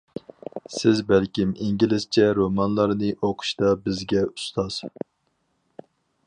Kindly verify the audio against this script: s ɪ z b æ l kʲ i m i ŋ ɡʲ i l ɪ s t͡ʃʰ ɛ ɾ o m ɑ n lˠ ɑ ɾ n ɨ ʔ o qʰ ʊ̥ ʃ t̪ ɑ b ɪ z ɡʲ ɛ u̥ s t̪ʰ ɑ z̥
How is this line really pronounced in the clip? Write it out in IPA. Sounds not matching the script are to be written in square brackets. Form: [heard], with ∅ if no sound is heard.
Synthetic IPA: s ɪ z b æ l kʲ i m i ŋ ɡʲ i l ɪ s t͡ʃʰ ɛ ɾ o m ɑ n lˠ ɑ ɾ n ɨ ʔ o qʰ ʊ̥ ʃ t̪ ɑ b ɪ z ɡʲ ɛ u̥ s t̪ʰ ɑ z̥

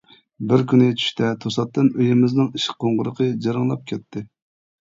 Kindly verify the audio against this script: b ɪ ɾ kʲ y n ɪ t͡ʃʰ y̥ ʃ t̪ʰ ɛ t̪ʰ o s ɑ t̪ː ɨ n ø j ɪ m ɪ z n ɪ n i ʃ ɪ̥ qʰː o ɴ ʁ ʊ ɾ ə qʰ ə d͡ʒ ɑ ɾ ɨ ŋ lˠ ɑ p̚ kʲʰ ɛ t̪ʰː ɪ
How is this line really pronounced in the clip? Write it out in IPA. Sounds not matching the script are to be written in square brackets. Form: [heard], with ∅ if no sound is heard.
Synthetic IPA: b ɪ ɾ kʲ y n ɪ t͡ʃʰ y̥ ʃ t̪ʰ ɛ t̪ʰ o s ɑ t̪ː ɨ n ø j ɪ m ɪ z n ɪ [ŋ] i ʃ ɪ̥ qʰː o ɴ ʁ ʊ ɾ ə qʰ ə d͡ʒ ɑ ɾ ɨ ŋ lˠ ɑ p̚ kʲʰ ɛ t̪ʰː ɪ

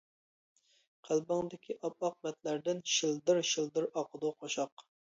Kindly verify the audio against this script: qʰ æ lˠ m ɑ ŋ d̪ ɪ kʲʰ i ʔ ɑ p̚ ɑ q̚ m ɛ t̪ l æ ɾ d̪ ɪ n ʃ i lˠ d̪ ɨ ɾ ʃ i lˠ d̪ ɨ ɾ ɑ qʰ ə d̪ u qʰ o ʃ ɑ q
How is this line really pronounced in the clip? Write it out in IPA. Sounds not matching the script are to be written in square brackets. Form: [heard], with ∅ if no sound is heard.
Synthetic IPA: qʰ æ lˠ [b] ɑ ŋ d̪ ɪ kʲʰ i ʔ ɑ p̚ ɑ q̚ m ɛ t̪ l æ ɾ d̪ ɪ n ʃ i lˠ d̪ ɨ ɾ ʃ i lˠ d̪ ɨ ɾ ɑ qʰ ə d̪ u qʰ o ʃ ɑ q

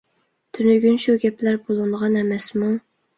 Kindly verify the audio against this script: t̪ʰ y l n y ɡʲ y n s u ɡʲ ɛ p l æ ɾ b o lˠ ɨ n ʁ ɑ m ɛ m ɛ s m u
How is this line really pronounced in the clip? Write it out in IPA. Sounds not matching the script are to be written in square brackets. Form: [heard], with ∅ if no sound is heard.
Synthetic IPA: t̪ʰ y [∅] n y ɡʲ y n [ʃ] u ɡʲ ɛ p l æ ɾ b o lˠ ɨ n ʁ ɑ [n] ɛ m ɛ s m u

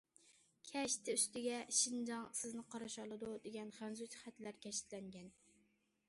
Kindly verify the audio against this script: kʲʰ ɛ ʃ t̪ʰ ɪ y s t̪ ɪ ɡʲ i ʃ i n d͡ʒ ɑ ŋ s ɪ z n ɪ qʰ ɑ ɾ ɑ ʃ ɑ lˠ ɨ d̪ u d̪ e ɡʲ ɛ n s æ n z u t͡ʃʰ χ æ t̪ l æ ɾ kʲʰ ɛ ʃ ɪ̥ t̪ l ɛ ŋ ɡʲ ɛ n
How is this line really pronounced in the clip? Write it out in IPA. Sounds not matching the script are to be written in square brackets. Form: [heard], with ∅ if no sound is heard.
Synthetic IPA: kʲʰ ɛ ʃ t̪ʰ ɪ y s t̪ ɪ ɡʲ [ɛ] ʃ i n d͡ʒ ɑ ŋ s ɪ z n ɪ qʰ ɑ ɾ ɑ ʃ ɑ lˠ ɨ d̪ u d̪ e ɡʲ ɛ n [χ] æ n z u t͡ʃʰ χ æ t̪ l æ ɾ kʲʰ ɛ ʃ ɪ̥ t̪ l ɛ ŋ ɡʲ ɛ n

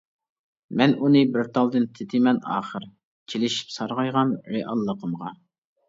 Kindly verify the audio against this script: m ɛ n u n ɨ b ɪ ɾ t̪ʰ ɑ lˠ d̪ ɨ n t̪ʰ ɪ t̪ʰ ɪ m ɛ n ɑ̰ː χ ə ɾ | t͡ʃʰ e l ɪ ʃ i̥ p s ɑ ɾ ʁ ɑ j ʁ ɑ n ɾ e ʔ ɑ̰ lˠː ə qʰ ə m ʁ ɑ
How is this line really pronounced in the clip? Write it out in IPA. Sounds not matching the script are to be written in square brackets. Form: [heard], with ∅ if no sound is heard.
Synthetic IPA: m ɛ n u n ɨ b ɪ ɾ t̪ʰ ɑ lˠ d̪ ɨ n t̪ʰ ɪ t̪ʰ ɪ m ɛ n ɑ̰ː χ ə ɾ | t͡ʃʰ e l ɪ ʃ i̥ p s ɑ ɾ ʁ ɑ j ʁ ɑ n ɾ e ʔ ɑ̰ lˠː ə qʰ ə m ʁ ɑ

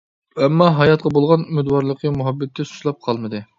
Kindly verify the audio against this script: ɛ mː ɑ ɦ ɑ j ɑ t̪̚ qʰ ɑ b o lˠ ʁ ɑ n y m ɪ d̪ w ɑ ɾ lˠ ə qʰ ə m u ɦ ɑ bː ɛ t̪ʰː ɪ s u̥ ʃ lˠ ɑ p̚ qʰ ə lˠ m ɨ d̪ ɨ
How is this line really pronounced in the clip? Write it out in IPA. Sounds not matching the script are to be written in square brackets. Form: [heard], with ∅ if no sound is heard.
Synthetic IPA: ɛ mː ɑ ɦ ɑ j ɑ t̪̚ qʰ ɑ b o lˠ ʁ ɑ n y m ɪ d̪ w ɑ ɾ lˠ ə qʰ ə m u ɦ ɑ bː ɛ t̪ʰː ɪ s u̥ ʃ lˠ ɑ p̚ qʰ [ɑ] lˠ m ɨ d̪ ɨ

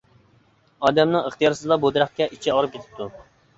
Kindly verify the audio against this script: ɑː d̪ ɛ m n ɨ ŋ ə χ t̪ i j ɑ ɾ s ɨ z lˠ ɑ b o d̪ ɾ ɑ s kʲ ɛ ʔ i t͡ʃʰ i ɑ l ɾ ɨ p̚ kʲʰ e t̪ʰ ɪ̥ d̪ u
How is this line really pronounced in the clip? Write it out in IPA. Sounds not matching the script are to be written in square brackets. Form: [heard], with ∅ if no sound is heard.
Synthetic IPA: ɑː d̪ ɛ m n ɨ ŋ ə χ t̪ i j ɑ ɾ s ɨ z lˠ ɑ b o d̪ ɾ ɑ [χ] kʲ ɛ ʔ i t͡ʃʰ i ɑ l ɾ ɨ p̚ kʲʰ e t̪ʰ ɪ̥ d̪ u

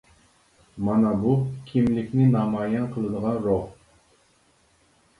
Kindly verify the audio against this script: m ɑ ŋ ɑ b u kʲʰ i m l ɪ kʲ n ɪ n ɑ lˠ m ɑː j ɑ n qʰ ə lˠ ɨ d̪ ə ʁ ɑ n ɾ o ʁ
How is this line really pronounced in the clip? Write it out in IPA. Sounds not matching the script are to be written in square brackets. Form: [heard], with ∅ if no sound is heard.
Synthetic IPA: m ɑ [n] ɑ b u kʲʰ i m l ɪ kʲ n ɪ n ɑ [∅] m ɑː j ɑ n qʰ ə lˠ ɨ d̪ ə ʁ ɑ n ɾ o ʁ

